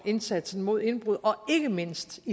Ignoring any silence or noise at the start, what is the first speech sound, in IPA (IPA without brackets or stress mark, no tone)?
e̝